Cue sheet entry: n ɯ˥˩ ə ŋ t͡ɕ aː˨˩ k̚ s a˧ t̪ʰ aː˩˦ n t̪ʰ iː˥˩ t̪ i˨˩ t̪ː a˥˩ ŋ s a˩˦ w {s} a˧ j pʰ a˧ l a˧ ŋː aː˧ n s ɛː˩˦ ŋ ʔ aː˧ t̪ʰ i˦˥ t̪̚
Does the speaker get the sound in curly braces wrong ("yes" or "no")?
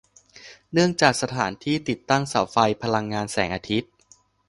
yes